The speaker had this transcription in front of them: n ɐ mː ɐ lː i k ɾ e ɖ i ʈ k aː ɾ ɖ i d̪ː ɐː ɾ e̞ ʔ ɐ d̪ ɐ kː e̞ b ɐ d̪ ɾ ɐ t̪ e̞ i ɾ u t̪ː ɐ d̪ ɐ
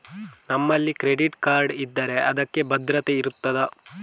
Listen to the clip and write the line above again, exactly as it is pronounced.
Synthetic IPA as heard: n ɐ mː ɐ lː i k ɾ e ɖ i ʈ k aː ɾ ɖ i d̪ː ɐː ɾ e̞ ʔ ɐ d̪ ɐ kː e̞ b ɐ d̪ ɾ ɐ t̪ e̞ i ɾ u t̪ː ɐ d̪ ɐ